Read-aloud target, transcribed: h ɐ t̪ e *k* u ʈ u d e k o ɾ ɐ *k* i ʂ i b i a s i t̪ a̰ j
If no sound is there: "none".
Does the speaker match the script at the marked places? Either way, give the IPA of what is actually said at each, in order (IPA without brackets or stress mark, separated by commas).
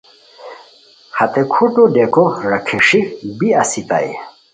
kʰ, kʰ